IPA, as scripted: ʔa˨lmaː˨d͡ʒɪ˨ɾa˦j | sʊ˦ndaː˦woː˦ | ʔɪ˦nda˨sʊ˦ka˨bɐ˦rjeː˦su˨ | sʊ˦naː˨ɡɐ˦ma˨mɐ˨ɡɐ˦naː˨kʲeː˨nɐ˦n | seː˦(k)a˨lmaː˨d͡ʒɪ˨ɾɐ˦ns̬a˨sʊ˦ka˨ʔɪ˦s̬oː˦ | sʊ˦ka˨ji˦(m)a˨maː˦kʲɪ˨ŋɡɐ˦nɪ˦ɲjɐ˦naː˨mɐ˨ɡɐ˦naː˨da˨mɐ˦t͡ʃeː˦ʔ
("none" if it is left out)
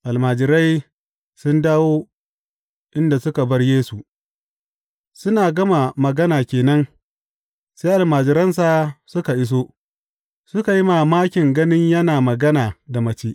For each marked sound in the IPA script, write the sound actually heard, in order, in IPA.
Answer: ʔ, m

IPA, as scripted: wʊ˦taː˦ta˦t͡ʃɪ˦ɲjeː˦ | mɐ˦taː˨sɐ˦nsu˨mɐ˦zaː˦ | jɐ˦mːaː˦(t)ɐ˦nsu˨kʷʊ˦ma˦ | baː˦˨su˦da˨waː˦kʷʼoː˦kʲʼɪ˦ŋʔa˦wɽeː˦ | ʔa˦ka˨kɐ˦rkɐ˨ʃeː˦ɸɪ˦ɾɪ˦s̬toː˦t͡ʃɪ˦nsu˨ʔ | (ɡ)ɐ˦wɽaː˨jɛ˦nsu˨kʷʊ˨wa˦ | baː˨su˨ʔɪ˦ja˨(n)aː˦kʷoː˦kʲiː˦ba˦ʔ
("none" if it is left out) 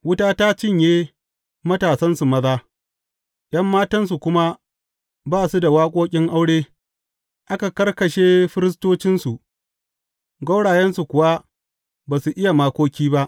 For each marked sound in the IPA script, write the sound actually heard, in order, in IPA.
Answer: t, ɡ, m

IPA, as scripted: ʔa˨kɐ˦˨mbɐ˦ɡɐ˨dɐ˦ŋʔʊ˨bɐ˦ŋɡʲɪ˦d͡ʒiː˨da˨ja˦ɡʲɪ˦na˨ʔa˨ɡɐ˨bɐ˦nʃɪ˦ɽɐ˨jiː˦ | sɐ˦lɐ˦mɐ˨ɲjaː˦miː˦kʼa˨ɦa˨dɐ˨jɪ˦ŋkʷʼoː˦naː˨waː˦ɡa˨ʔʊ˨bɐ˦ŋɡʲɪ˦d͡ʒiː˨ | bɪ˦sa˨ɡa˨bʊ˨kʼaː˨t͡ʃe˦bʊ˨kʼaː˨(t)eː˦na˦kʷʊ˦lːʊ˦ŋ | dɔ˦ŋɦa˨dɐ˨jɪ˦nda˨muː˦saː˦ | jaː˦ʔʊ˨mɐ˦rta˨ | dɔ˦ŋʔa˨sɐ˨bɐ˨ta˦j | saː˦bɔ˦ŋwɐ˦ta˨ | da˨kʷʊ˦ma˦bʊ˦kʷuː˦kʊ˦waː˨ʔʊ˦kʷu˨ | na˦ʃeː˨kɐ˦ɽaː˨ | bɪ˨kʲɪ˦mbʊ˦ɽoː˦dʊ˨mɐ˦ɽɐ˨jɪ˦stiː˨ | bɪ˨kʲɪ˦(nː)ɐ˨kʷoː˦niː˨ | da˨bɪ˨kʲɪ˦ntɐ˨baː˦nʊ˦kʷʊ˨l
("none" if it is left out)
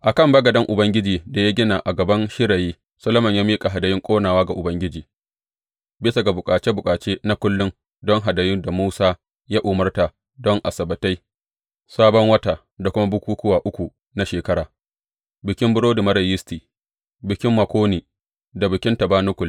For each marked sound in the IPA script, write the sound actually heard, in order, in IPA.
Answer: t͡ʃ, mː

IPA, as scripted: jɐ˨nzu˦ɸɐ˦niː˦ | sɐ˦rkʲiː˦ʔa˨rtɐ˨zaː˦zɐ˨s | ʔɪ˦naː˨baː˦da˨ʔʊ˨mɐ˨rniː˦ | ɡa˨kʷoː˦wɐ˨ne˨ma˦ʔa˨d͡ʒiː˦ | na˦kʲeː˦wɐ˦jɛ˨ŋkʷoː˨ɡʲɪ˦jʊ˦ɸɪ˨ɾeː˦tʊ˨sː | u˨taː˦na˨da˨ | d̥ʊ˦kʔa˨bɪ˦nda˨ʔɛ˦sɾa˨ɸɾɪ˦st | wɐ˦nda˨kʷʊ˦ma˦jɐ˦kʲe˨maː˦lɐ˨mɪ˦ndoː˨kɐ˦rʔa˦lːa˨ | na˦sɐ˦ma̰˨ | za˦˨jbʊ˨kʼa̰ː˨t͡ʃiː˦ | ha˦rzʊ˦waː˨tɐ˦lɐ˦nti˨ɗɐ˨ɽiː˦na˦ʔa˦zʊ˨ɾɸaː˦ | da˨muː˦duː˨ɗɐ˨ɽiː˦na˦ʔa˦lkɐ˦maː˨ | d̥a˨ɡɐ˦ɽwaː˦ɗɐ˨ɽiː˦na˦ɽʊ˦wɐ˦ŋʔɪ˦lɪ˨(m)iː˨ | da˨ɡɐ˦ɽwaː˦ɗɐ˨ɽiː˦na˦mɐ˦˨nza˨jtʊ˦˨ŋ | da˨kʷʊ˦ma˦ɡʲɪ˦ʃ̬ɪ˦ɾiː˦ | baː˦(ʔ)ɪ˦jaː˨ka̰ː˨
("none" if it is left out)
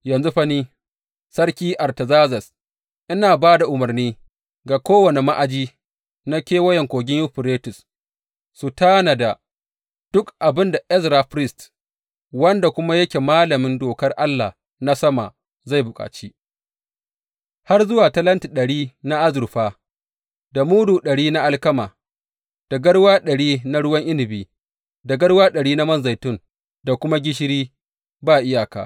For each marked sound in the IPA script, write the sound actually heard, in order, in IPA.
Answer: b, ʔ

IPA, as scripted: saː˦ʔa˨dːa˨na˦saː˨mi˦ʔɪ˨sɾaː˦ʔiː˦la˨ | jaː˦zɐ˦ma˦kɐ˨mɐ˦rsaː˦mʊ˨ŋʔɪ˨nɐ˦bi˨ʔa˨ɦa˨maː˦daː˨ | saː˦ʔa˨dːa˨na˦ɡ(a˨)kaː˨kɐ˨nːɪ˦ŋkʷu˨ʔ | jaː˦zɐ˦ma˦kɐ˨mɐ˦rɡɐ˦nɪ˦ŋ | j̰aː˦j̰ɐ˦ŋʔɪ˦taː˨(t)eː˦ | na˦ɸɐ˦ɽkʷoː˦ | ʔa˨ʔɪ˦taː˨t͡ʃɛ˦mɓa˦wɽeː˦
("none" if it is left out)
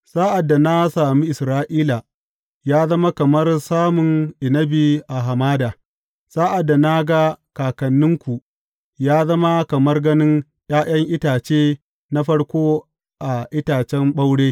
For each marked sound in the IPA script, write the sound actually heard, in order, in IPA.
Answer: a˦, t͡ʃ

